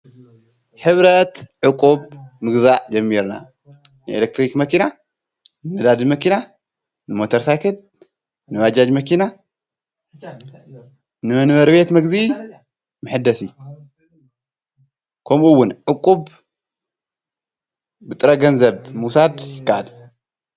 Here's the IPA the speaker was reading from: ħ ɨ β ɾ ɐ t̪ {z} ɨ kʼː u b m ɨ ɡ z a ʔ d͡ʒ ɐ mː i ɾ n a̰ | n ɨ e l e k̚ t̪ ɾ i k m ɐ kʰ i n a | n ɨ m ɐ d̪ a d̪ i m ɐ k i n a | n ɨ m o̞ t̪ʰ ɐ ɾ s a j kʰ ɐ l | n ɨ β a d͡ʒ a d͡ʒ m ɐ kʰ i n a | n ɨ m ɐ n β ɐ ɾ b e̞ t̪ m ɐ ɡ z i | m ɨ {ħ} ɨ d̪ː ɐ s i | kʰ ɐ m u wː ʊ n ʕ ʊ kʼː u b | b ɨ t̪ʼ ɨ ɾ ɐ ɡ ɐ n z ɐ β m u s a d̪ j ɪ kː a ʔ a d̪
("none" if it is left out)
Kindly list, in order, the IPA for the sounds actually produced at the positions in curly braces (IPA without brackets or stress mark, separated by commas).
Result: ʕ, ħ